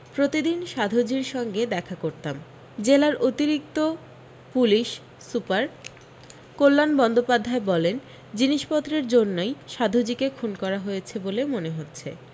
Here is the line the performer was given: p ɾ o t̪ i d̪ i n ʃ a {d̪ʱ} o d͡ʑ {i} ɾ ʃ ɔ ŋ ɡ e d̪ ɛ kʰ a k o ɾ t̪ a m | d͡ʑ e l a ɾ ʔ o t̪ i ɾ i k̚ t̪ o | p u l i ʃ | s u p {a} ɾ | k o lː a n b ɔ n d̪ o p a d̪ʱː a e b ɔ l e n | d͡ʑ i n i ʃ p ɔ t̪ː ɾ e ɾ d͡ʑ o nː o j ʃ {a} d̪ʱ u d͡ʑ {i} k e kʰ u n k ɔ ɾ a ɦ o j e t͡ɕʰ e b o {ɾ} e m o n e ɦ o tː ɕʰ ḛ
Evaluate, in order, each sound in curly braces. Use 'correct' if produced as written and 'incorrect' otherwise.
correct, correct, correct, correct, correct, incorrect

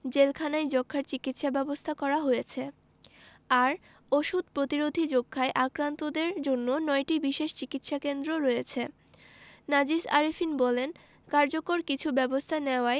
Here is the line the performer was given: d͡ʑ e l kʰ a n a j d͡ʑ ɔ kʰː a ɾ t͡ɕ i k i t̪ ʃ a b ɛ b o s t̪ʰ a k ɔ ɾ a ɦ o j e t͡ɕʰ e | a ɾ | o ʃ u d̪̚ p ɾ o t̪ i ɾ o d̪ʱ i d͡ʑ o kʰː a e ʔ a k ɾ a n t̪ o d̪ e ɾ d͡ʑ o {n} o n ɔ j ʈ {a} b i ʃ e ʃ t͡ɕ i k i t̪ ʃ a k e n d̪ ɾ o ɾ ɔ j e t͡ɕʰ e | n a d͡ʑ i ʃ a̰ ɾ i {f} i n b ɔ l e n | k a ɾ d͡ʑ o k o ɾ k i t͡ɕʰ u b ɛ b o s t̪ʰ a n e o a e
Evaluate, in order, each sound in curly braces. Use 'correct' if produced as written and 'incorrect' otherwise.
incorrect, incorrect, correct

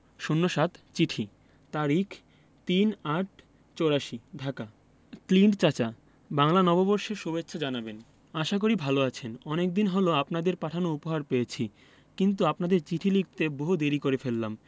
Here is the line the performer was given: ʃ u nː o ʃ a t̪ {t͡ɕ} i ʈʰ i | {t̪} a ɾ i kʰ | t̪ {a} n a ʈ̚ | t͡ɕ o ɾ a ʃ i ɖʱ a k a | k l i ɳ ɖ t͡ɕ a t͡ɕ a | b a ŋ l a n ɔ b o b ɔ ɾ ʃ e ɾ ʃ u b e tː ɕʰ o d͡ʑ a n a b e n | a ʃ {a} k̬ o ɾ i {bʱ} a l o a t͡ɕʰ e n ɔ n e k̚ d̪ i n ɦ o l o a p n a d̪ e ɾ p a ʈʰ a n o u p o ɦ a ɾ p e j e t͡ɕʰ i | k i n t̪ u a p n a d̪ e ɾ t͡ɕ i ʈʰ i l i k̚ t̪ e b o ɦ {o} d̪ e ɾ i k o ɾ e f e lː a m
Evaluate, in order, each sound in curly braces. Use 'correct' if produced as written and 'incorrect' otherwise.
correct, correct, incorrect, correct, correct, incorrect

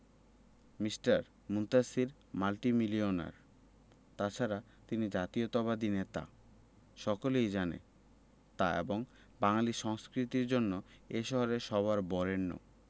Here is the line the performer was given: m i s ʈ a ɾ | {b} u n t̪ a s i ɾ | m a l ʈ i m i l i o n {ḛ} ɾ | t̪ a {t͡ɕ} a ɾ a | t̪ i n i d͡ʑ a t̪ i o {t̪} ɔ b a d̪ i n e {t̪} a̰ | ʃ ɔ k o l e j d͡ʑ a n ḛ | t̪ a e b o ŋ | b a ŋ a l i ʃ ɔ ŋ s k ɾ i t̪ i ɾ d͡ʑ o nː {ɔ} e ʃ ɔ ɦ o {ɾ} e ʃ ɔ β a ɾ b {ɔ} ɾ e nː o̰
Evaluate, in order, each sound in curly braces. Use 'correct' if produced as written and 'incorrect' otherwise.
incorrect, incorrect, incorrect, correct, correct, incorrect, correct, correct

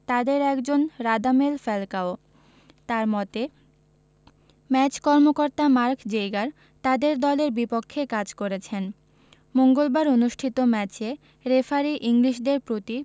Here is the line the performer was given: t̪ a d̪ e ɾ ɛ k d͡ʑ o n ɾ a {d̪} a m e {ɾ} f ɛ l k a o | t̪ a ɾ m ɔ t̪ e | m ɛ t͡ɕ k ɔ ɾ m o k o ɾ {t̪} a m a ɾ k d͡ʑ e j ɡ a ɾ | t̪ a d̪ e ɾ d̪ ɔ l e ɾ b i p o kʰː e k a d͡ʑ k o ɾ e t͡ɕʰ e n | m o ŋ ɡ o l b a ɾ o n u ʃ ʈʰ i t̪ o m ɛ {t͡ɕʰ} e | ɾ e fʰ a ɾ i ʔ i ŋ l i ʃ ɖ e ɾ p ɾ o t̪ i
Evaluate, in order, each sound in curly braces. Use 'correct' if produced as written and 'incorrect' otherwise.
correct, incorrect, correct, incorrect

